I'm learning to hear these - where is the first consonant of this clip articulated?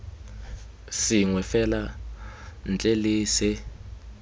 tongue tip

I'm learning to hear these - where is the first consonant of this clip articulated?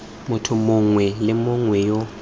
lips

